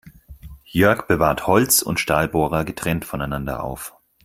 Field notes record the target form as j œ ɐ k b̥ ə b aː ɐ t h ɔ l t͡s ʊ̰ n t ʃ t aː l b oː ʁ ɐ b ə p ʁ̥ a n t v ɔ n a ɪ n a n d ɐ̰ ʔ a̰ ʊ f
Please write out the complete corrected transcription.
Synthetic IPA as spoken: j œ ɐ k b̥ ə v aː ɐ t h ɔ l t͡s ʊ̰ n t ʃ t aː l b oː ʁ ɐ ɡ ə t ʁ̥ ɛ n t f ɔ n a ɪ n a n d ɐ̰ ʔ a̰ ʊ f